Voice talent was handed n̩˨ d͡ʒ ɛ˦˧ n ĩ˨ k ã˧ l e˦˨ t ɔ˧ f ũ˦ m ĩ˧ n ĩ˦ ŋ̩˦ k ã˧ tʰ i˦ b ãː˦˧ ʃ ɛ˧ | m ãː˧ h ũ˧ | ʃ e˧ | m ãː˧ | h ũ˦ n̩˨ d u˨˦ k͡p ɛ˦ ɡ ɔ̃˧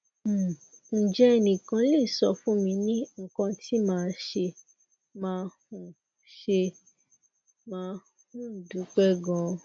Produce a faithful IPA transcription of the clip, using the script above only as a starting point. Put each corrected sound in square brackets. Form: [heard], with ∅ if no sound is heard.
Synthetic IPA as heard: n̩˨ d͡ʒ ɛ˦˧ n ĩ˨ k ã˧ l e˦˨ [s] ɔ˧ f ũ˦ m ĩ˧ n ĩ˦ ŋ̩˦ k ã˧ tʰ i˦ [m] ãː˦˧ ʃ [e˧] | m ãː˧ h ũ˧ | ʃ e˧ | m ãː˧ | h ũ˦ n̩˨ d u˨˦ k͡p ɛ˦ ɡ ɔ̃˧